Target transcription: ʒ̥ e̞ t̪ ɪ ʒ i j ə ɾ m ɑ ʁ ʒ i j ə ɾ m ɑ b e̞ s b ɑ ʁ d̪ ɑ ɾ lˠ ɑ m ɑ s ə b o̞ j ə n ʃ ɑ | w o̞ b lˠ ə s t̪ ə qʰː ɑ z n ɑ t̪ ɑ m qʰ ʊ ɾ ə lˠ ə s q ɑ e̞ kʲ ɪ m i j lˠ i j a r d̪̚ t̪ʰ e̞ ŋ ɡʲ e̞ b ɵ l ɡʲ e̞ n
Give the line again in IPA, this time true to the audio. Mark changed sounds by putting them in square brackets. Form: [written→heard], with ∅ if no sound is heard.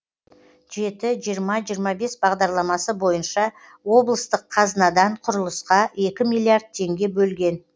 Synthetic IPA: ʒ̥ e̞ t̪ ɪ ʒ i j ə ɾ m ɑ [ʁ→∅] ʒ i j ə ɾ m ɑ b e̞ s b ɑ ʁ d̪ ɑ ɾ lˠ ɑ m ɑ s ə b o̞ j ə n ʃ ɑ | w o̞ b lˠ ə s t̪ ə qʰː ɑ z n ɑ [t̪→d̪] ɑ [m→ɴ] qʰ ʊ ɾ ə lˠ ə s q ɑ e̞ kʲ ɪ m i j lˠ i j a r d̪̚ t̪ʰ e̞ ŋ ɡʲ e̞ b ɵ l ɡʲ e̞ n